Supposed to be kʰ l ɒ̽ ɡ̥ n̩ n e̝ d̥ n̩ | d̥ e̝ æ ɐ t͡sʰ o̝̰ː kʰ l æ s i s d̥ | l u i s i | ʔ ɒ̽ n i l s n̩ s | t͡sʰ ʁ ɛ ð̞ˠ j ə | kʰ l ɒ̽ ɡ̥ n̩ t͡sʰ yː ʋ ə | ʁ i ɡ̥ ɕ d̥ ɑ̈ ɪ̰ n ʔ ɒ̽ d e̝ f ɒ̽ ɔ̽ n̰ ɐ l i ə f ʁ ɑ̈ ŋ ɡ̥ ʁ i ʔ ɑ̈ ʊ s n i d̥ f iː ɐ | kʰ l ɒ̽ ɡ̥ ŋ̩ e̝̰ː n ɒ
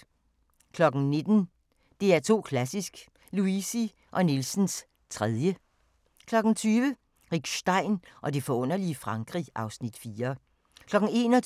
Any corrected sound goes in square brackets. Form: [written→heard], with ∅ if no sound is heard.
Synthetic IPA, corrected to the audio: kʰ l ɒ̽ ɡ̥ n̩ n e̝ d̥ n̩ | d̥ e̝ æ ɐ t͡sʰ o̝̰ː kʰ l æ s i s [d̥→ɡ̥] | l u i s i | ʔ ɒ̽ n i l s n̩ s | t͡sʰ ʁ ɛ ð̞ˠ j ə | kʰ l ɒ̽ ɡ̥ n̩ t͡sʰ yː ʋ ə | ʁ i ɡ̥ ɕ d̥ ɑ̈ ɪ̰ n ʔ ɒ̽ d e̝ f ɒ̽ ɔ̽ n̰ ɐ l i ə f ʁ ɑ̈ ŋ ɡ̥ ʁ i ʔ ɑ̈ ʊ s n i d̥ f iː ɐ | kʰ l ɒ̽ ɡ̥ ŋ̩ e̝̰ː n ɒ